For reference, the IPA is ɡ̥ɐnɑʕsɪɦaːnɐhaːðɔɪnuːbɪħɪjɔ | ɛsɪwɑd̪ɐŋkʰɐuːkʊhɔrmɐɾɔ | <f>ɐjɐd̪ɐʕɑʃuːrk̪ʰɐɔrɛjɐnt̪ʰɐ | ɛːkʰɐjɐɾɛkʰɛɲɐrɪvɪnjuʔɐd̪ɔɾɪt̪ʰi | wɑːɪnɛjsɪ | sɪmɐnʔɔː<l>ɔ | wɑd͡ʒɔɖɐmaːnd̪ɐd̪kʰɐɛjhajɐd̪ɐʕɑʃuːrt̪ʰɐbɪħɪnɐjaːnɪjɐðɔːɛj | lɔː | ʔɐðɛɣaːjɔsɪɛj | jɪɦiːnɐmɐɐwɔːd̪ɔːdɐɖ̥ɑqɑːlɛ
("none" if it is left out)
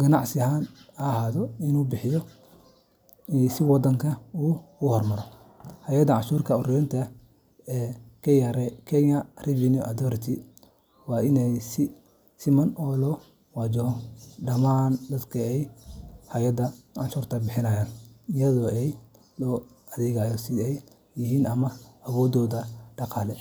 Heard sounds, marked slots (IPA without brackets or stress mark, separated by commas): h, l